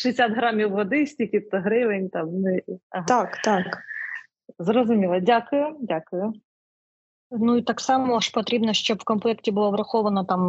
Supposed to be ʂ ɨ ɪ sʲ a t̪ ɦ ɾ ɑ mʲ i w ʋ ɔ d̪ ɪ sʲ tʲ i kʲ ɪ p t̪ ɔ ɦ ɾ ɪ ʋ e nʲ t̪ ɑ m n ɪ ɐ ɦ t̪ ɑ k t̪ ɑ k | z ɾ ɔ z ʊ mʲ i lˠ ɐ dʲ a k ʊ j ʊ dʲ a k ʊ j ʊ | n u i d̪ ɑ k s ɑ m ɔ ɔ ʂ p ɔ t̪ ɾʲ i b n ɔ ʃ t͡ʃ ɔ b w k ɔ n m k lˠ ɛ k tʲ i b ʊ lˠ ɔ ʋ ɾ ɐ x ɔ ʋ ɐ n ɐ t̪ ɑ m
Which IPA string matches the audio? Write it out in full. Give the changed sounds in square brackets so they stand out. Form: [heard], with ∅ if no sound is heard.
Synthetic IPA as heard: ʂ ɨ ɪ sʲ a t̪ ɦ ɾ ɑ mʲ i w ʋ ɔ d̪ ɪ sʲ tʲ i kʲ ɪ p t̪ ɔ ɦ ɾ ɪ ʋ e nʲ t̪ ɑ m n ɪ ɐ ɦ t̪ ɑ k t̪ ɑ k | z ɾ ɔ z ʊ mʲ i lˠ ɐ dʲ a k ʊ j ʊ dʲ a k ʊ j ʊ | n u i [t̪] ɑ k s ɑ m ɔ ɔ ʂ p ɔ t̪ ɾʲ i b n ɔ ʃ t͡ʃ ɔ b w k ɔ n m [p] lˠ ɛ k tʲ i b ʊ lˠ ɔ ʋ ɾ ɐ x ɔ ʋ ɐ n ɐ t̪ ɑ m